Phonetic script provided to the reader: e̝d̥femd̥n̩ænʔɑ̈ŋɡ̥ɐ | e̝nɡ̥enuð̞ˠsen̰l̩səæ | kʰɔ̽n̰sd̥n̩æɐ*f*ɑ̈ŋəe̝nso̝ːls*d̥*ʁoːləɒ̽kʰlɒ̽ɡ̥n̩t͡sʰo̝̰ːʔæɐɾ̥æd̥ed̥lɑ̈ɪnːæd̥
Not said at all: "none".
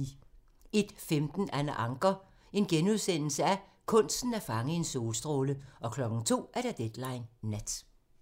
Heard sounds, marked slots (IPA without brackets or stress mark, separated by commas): f, d̥